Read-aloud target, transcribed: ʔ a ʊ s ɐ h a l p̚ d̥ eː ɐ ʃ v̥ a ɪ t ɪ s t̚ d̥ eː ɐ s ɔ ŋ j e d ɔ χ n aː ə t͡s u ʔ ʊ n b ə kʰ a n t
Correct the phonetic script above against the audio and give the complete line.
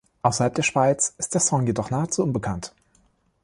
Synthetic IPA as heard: ʔ a ʊ s ɐ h a l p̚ d̥ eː ɐ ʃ v̥ a ɪ t͡s ɪ s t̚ d̥ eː ɐ s ɔ ŋ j e d ɔ χ n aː ə t͡s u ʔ ʊ n b ə kʰ a n t